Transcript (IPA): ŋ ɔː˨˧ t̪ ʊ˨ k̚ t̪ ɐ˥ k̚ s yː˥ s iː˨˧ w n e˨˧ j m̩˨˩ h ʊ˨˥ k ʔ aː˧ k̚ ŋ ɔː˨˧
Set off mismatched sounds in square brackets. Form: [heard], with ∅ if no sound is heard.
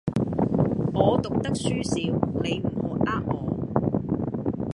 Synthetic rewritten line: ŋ ɔː˨˧ t̪ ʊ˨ k̚ t̪ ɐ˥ k̚ s yː˥ s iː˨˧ w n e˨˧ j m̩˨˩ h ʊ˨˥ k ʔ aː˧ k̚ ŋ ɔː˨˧